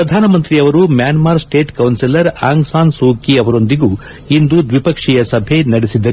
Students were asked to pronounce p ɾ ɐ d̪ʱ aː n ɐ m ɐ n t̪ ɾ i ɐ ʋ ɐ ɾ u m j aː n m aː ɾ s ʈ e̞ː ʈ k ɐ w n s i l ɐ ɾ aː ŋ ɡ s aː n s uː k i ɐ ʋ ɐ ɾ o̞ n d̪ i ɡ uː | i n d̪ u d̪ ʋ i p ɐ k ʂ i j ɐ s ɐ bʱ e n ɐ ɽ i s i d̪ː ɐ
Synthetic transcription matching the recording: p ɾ ɐ d̪ʱ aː n ɐ m ɐ n t̪ ɾ i ɐ ʋ ɐ ɾ u m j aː n m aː ɾ s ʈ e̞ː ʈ k ɐ w n s i l ɐ ɾ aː ŋ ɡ s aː n s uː k i ɐ ʋ ɐ ɾ o̞ n d̪ i ɡ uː | i n d̪ u d̪ ʋ i p ɐ k ʂ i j ɐ s ɐ bʱ e n ɐ ɽ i s i d̪ː ɐ